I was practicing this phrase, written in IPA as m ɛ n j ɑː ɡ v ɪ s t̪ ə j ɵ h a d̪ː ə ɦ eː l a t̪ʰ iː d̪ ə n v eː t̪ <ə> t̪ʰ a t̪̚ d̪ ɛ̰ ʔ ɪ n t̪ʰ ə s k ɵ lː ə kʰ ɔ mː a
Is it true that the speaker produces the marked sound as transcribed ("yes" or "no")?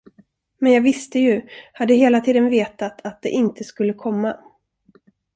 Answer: no